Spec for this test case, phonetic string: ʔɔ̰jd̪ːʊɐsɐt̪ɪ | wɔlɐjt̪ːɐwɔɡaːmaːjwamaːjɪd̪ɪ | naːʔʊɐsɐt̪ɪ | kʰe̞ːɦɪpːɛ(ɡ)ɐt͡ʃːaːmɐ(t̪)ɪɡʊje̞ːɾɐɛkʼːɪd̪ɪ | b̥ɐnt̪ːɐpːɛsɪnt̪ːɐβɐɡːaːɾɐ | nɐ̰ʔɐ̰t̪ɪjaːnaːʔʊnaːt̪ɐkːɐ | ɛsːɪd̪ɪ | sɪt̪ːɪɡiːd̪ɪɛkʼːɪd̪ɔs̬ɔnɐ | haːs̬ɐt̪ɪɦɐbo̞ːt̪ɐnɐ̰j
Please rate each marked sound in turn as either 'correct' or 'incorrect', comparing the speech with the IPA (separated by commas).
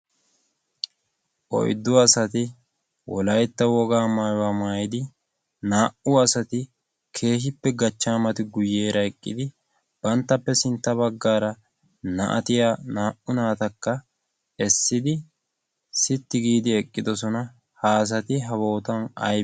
correct, correct